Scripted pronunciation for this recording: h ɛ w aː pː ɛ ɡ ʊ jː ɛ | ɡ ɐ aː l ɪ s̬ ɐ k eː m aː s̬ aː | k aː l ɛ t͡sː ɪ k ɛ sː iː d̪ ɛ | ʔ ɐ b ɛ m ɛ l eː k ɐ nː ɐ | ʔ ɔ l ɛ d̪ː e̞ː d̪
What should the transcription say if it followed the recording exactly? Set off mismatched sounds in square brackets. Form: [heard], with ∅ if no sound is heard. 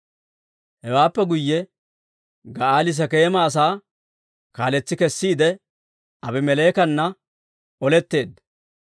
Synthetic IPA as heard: h ɛ w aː pː ɛ ɡ ʊ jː ɛ | ɡ ɐ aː l ɪ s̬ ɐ k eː m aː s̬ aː | k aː l ɛ t͡sː ɪ k ɛ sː iː d̪ ɛ | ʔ ɐ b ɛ m ɛ l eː k ɐ nː ɐ | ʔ ɔ l ɛ [t̪ː] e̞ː d̪